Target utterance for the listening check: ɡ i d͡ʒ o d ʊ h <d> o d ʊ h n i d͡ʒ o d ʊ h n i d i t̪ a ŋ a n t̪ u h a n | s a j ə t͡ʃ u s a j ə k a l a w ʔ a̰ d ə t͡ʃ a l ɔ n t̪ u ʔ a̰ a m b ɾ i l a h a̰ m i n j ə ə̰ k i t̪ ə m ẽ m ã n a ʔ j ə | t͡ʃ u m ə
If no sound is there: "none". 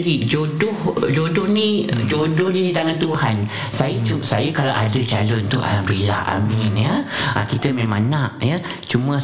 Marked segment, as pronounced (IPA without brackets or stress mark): d͡ʒ